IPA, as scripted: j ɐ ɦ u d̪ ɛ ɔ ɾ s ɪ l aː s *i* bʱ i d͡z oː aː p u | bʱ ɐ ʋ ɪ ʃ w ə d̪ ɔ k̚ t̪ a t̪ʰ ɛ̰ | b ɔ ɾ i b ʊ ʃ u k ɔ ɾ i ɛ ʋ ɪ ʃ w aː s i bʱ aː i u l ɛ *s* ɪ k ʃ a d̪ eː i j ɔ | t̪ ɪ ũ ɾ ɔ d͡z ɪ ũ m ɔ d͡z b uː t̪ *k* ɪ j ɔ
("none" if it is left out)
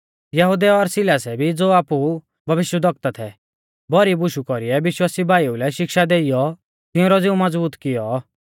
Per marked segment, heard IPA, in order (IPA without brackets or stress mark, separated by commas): ɛ, ʃ, k